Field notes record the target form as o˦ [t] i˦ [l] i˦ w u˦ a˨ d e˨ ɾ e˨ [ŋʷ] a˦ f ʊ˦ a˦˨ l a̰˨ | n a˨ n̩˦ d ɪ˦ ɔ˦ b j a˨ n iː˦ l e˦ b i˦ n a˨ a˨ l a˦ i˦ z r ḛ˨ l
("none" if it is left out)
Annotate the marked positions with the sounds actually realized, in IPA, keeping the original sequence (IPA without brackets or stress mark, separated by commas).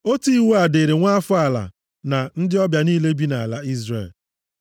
t, none, ŋʷ